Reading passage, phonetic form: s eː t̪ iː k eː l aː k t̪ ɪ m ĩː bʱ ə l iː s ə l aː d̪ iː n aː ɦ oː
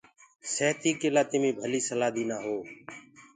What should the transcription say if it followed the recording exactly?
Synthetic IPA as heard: s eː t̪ iː k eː l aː t̪ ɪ m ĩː bʱ ə l iː s ə l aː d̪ iː n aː ɦ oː